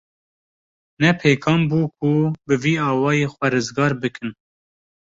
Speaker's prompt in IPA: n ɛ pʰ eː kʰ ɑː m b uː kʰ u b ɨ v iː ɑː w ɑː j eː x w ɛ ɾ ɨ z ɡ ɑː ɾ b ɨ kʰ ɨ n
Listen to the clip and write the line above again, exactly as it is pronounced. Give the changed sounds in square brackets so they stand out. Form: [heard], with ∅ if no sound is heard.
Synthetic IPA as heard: n ɛ pʰ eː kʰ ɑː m b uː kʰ u b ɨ v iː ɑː w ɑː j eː x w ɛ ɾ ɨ z ɡ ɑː ɾ b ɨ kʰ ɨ n